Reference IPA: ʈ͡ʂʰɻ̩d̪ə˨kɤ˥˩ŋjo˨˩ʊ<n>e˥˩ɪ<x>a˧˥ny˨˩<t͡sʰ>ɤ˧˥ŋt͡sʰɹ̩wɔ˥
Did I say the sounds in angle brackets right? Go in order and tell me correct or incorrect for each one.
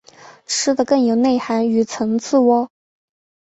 correct, correct, correct

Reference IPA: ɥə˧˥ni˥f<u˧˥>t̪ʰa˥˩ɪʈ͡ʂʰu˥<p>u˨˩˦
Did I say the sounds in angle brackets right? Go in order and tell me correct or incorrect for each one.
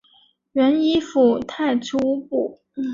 incorrect: u˨˩, correct

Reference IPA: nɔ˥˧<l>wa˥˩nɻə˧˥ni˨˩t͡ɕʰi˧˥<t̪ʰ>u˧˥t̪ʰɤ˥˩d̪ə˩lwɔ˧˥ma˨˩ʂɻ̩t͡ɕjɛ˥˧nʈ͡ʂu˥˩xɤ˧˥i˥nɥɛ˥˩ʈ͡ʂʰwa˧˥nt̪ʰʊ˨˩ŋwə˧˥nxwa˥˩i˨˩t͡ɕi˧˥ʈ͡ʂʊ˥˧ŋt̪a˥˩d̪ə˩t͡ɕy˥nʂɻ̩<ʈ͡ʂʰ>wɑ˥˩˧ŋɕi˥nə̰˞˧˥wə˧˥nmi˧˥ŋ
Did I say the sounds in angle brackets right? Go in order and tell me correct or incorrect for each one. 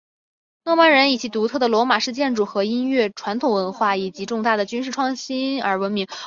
incorrect: none, incorrect: t̪, correct

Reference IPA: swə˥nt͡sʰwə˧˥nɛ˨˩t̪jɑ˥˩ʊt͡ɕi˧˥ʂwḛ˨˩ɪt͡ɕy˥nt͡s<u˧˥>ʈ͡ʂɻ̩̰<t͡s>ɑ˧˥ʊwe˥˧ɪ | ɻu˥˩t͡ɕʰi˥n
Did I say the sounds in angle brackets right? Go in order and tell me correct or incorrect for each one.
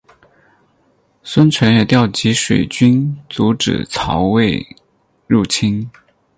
correct, incorrect: t͡sʰ

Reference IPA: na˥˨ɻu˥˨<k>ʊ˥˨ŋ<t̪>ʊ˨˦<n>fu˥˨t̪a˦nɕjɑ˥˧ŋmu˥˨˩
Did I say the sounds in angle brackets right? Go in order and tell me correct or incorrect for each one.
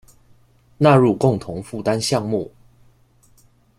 correct, incorrect: t̪ʰ, incorrect: ŋ

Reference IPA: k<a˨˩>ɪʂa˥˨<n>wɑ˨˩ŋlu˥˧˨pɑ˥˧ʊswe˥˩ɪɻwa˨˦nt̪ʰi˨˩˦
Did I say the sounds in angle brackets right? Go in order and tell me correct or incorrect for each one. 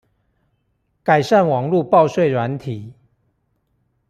correct, correct

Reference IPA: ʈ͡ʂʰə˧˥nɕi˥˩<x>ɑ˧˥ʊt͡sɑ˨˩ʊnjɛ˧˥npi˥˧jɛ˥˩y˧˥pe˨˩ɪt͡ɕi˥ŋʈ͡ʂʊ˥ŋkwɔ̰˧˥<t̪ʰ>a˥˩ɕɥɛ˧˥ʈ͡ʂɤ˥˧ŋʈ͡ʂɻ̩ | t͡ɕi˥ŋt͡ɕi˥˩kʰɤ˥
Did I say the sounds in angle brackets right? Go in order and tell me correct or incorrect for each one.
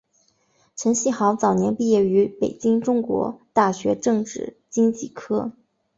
correct, incorrect: t̪

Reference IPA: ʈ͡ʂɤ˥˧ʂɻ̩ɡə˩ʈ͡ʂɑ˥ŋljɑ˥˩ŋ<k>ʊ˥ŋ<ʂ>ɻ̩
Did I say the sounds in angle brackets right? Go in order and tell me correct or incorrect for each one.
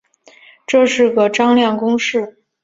correct, correct

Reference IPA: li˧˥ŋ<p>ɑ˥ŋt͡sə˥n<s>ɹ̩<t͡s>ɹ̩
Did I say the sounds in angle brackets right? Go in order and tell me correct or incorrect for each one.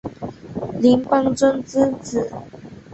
correct, incorrect: t͡s, correct

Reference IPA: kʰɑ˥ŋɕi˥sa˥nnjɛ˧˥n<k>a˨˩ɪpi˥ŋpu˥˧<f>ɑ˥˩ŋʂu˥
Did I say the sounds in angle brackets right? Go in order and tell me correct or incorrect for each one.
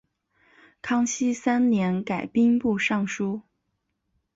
correct, incorrect: ʂ

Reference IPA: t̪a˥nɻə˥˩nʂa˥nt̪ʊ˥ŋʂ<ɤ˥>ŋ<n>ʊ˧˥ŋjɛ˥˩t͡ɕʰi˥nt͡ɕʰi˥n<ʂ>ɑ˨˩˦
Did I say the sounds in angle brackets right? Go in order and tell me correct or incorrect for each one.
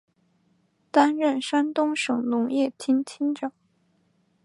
incorrect: ɤ˨˩, correct, incorrect: ʈ͡ʂ

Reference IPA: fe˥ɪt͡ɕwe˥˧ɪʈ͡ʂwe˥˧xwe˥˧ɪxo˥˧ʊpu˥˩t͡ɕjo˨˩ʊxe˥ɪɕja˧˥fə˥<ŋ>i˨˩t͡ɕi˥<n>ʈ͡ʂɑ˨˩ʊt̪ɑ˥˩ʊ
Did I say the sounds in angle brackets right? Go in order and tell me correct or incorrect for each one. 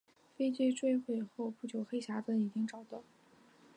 incorrect: n, incorrect: ŋ

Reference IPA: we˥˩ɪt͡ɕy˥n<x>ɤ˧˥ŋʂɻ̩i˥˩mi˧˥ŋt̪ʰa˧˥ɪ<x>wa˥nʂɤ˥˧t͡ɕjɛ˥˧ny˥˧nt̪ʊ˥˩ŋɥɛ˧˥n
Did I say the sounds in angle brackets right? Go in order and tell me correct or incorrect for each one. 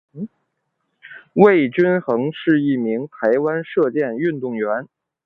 correct, incorrect: none

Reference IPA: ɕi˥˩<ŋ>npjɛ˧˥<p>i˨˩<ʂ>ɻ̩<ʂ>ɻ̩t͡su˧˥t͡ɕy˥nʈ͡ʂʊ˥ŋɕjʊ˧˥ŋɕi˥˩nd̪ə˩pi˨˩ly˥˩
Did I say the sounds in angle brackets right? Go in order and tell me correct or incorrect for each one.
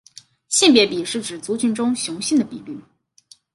incorrect: none, correct, correct, incorrect: ʈ͡ʂ

